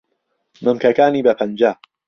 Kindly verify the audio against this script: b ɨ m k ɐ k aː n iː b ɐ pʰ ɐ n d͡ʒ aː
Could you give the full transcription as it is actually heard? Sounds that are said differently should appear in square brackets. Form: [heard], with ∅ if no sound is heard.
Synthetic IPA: [m] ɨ m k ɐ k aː n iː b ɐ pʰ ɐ n d͡ʒ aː